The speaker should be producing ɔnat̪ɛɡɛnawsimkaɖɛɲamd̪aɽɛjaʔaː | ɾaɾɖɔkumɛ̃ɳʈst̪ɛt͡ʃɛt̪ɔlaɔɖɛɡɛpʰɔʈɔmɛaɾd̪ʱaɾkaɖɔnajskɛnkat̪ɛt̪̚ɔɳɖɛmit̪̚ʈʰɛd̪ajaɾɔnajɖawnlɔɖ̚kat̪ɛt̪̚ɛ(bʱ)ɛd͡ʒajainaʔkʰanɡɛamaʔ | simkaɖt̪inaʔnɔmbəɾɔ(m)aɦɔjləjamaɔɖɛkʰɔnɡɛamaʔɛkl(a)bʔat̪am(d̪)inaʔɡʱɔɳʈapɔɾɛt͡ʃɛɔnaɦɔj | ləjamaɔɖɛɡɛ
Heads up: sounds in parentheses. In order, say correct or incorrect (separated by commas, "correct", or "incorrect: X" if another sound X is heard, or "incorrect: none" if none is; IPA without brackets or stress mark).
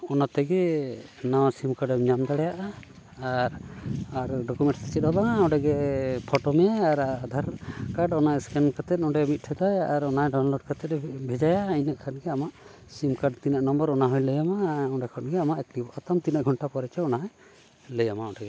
correct, incorrect: n, incorrect: i, incorrect: t̪